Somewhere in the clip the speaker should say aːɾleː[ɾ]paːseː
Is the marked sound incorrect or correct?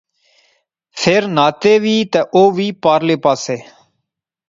incorrect